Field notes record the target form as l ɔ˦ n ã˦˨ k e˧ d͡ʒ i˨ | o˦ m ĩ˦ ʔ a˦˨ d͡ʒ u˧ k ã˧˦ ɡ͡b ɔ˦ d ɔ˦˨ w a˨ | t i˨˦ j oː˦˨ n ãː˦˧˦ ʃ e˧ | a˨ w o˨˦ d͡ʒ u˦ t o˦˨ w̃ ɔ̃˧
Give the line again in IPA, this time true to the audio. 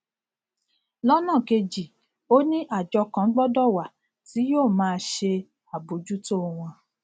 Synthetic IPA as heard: l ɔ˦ n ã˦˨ k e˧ d͡ʒ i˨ | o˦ n ĩ˦ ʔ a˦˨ d͡ʒ ɔ˧ k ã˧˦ ɡ͡b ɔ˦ d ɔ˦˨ w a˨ | t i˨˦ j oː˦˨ m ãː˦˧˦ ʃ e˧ | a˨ b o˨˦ d͡ʒ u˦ t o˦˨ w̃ ɔ̃˧

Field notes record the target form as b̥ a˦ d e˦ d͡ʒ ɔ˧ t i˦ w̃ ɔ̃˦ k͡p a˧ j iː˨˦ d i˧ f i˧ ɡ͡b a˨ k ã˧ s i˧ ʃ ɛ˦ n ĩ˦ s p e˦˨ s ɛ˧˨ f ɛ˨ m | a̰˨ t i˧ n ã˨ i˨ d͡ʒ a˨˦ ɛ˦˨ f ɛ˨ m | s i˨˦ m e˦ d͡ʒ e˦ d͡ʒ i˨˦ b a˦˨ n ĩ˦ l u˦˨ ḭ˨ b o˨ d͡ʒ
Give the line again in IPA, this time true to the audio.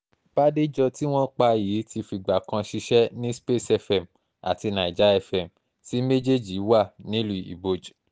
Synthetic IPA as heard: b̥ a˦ d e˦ d͡ʒ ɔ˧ t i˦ w̃ ɔ̃˦ k͡p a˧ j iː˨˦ t i˧ f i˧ ɡ͡b a˨ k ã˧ ʃ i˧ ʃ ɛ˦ n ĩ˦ s p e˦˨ s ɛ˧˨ f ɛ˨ m | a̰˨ t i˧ n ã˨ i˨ d͡ʒ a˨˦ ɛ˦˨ f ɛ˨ m | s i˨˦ m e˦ d͡ʒ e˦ d͡ʒ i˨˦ w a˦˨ n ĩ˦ l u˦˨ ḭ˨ b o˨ d͡ʒ

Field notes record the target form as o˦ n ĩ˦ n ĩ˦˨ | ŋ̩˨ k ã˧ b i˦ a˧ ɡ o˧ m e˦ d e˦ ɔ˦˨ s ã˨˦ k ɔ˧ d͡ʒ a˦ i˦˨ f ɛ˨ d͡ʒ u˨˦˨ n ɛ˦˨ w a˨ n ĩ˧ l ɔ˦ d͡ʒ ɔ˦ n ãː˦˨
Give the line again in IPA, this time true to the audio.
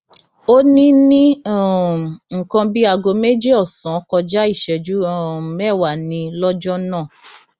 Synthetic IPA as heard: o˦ n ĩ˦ n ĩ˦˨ | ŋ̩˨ k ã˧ b i˦ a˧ ɡ o˧ m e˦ d͡ʒ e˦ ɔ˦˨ s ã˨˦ k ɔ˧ d͡ʒ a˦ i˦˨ ʃ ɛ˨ d͡ʒ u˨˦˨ m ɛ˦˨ w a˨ n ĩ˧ l ɔ˦ d͡ʒ ɔ˦ n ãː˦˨

